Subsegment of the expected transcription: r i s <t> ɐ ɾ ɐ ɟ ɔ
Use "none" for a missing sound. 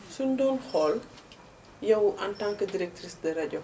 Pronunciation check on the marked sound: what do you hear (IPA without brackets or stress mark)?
d